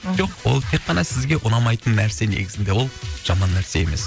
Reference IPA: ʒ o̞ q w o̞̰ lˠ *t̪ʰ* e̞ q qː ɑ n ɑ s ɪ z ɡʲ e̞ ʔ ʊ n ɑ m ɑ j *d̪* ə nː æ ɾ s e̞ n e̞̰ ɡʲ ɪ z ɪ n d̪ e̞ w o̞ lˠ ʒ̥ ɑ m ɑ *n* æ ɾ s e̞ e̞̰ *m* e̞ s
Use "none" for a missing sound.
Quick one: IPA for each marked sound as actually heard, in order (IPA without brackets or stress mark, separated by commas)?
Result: t̪ʰ, t̪, nː, m